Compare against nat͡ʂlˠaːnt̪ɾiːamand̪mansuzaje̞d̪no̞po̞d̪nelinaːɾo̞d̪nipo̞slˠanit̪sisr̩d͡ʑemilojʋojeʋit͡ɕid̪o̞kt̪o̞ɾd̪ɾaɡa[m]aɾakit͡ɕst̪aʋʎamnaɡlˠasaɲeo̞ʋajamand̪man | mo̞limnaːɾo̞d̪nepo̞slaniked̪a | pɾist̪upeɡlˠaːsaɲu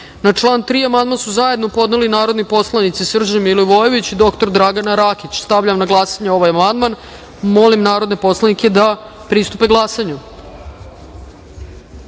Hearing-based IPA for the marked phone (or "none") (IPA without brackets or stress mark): n